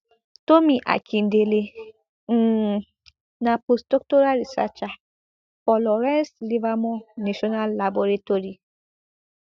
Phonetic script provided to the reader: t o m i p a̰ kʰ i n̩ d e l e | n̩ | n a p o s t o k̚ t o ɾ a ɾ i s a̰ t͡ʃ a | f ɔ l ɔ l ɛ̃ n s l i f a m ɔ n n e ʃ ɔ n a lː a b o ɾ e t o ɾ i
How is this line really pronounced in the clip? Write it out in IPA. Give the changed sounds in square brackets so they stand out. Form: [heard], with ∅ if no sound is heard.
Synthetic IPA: t o m i [ʔ] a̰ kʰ i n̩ d e l e | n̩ | n a p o s t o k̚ t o ɾ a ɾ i s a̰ t͡ʃ a | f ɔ l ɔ [ɾ] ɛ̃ n s l i [v] a m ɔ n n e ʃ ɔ n a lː a b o ɾ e t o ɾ i